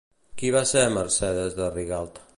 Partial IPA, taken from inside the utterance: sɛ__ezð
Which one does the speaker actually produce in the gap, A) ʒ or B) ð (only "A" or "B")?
B